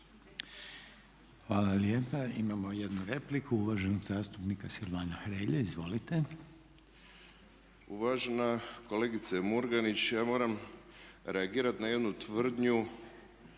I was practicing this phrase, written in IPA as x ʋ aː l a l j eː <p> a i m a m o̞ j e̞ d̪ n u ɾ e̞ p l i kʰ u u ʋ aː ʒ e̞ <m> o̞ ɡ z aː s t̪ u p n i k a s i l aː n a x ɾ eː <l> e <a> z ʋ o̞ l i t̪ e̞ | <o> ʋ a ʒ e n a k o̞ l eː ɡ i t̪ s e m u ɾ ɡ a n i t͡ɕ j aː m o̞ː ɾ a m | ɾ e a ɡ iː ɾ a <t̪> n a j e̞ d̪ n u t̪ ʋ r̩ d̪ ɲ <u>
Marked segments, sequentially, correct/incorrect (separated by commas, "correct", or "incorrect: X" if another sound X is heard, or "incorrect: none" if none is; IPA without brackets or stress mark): correct, incorrect: n, incorrect: ʎ, incorrect: i, incorrect: u, correct, correct